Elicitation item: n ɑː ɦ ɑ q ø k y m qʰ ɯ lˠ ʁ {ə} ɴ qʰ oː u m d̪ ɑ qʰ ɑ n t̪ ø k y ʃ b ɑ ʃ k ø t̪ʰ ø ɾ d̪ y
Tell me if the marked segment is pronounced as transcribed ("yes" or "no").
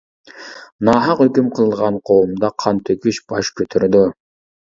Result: no